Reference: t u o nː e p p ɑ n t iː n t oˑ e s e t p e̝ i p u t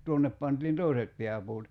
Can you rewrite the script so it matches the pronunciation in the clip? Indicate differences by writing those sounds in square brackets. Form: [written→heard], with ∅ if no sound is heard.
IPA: t u o nː e p p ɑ n t iː n t oˑ [e→i] s e t p e̝ [i→æ] p [u→uː] t